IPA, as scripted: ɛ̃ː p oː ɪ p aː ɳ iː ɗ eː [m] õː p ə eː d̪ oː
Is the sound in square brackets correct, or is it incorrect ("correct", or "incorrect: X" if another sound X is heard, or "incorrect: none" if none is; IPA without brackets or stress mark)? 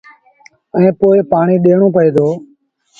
incorrect: ɳ